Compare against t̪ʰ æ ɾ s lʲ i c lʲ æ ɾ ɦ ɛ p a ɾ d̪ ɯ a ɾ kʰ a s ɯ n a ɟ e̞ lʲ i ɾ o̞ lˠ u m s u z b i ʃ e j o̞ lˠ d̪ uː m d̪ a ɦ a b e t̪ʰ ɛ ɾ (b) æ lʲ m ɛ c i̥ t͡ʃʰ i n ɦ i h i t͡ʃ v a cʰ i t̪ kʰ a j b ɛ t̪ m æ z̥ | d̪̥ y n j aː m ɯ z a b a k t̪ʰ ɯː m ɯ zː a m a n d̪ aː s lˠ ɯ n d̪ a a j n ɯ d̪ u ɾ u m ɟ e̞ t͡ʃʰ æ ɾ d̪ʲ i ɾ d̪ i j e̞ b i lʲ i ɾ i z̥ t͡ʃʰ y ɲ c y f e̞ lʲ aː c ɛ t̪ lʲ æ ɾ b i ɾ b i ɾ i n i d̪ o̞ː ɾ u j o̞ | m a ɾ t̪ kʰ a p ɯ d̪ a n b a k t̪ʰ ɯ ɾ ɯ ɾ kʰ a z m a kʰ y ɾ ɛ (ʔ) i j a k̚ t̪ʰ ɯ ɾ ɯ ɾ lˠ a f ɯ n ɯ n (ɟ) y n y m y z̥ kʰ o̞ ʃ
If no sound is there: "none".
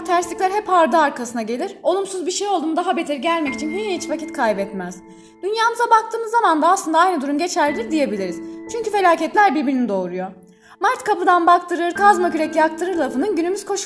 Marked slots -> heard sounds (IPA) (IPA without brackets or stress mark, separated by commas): ɟ, c, ɟ